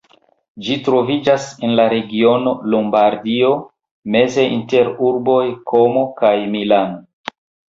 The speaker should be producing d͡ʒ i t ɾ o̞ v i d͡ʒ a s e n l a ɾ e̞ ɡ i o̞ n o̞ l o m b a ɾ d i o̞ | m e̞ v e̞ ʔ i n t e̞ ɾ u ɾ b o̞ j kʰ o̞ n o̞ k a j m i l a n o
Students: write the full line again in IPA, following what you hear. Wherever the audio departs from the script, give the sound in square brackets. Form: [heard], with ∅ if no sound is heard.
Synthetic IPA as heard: d͡ʒ i t ɾ o̞ v i d͡ʒ a s e n l a ɾ e̞ ɡ i o̞ n o̞ l o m b a ɾ d i o̞ | m e̞ [z] e̞ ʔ i n t e̞ ɾ u ɾ b o̞ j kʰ o̞ [m] o̞ k a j m i l a n o